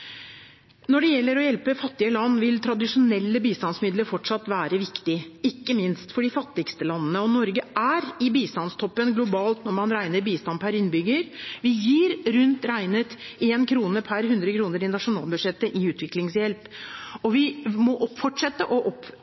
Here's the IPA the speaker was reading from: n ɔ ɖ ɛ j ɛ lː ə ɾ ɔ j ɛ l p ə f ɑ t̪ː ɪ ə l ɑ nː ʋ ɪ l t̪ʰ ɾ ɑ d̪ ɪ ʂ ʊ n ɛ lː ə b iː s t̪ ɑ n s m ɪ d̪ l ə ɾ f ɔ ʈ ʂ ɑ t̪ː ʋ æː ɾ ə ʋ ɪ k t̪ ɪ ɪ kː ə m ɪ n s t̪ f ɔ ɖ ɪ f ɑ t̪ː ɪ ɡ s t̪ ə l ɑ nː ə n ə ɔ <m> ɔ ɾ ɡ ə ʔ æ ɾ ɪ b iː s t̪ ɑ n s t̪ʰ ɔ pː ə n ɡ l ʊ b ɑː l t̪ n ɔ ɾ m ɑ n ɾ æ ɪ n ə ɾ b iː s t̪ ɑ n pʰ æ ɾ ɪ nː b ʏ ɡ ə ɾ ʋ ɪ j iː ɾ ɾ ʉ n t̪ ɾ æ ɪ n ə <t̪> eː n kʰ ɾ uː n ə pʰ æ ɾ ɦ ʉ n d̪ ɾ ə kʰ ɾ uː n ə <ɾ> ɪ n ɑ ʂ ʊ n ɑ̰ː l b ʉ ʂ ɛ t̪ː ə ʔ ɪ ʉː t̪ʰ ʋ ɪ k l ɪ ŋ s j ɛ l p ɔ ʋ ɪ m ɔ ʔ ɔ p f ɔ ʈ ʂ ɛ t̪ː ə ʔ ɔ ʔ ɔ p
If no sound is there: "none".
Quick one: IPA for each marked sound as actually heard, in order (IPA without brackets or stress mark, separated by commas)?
n, t̪, ɾ